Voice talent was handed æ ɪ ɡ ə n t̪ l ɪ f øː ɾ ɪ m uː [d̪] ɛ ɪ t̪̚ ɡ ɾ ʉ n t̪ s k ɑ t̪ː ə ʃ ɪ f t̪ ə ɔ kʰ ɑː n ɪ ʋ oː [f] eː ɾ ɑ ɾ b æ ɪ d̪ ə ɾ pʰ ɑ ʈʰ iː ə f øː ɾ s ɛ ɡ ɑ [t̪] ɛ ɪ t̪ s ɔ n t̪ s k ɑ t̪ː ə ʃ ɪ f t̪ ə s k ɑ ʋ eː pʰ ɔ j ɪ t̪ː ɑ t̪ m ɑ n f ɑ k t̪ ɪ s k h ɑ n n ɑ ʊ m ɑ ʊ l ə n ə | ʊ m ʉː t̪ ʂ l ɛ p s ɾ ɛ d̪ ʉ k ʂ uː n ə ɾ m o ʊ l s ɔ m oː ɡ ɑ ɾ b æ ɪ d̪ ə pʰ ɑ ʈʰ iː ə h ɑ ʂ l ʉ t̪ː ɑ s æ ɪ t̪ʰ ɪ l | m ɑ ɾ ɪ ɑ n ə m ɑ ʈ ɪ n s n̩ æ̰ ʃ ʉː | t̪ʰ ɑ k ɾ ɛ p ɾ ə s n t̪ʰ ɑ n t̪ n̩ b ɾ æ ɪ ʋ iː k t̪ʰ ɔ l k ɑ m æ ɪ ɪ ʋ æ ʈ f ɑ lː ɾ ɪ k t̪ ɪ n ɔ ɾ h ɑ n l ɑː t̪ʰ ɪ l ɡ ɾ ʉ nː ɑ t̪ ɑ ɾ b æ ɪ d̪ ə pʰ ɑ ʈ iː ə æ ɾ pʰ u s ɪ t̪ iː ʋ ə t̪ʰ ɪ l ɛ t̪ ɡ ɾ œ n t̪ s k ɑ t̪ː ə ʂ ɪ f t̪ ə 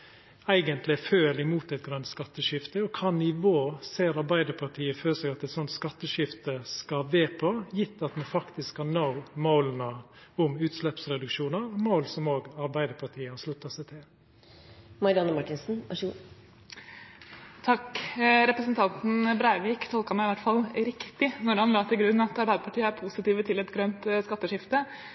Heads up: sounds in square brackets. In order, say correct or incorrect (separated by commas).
incorrect, incorrect, correct